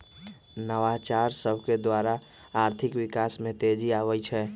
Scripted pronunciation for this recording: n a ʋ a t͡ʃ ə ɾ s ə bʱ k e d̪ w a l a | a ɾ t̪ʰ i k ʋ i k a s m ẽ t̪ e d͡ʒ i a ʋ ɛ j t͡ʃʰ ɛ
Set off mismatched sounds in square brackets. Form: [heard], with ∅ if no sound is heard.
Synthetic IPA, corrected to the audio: n [ə] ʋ a t͡ʃ [a] ɾ s ə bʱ k e d̪ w a [ɾ] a | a ɾ t̪ʰ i k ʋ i k a s m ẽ t̪ e d͡ʒ i a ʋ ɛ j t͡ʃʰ ɛ